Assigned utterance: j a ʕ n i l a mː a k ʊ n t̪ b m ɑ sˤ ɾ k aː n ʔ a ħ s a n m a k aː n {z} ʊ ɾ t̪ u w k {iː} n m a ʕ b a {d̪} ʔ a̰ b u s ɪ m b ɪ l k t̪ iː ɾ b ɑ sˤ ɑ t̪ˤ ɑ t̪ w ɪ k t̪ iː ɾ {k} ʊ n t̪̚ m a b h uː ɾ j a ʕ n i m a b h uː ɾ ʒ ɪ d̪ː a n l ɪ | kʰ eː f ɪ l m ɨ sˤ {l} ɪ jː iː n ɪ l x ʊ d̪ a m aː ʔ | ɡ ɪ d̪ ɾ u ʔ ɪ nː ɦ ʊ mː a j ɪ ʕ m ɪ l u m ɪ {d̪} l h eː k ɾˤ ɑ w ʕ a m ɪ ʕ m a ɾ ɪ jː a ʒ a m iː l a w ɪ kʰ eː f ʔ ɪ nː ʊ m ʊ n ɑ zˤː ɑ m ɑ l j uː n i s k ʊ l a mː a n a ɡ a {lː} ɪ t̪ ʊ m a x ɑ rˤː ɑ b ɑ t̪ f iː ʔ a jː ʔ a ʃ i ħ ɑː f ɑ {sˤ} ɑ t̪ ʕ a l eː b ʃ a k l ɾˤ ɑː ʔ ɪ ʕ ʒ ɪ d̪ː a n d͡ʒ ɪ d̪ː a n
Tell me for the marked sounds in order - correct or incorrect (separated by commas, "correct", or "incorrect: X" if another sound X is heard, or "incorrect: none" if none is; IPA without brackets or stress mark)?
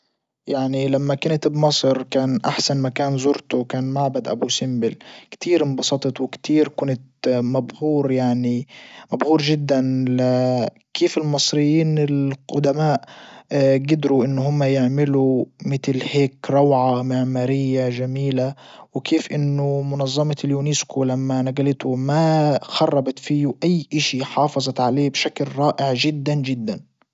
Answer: correct, incorrect: aː, correct, correct, incorrect: ɾ, incorrect: t̪, incorrect: l, incorrect: zˤ